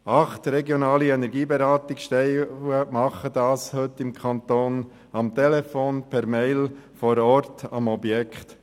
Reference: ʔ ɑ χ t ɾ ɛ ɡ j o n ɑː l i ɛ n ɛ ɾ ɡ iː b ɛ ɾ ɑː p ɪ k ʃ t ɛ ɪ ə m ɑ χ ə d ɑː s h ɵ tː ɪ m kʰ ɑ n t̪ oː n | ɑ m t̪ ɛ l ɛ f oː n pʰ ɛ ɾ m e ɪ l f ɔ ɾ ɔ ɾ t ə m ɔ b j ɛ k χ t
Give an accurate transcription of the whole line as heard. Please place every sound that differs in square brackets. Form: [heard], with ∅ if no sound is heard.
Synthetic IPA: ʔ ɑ χ t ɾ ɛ ɡ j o n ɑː l i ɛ n ɛ ɾ ɡ iː b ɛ ɾ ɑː [t] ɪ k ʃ t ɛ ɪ ə m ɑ χ ə d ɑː s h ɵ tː ɪ m kʰ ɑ n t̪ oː n | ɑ m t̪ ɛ l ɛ f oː n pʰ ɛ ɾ m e ɪ l f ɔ ɾ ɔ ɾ t [ɑ] m ɔ b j ɛ k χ t